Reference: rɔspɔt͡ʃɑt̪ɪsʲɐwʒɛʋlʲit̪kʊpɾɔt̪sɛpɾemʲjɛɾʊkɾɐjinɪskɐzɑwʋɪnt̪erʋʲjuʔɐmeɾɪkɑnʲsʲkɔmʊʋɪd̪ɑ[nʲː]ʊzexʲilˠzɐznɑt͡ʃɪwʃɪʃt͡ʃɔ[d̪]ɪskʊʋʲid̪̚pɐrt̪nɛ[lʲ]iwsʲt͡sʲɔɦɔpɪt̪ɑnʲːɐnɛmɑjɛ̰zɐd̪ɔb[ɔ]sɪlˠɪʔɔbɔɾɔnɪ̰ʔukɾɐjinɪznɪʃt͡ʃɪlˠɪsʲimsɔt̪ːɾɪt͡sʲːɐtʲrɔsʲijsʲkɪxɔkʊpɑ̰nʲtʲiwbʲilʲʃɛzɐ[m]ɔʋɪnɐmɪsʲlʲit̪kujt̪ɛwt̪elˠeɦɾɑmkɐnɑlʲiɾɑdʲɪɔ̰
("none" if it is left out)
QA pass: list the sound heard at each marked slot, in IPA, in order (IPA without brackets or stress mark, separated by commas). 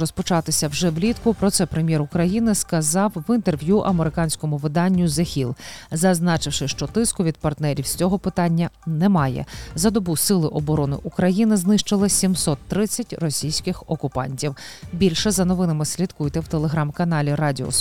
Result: nʲː, t̪, ɾʲ, u, n